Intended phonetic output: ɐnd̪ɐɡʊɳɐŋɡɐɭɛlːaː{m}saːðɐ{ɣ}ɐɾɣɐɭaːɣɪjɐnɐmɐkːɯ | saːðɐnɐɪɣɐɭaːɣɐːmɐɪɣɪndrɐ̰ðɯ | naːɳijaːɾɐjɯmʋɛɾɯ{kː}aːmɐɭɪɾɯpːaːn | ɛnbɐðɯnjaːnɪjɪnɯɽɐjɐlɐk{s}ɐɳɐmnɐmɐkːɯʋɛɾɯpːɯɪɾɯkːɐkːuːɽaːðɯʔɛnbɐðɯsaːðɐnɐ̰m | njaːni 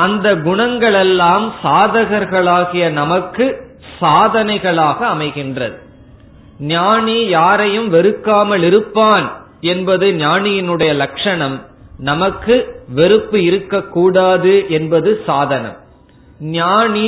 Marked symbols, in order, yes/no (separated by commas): yes, yes, yes, no